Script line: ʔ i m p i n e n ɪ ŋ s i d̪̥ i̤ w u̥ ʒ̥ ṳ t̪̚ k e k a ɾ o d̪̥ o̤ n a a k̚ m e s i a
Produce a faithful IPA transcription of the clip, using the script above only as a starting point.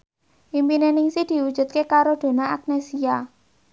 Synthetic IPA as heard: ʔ i m p i n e n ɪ ŋ s i d̪̥ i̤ w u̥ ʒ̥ ṳ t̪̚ k e k a ɾ o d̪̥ o̤ n a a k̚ n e s i a